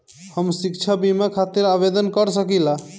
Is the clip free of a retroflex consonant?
yes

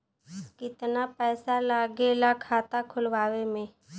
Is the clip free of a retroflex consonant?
yes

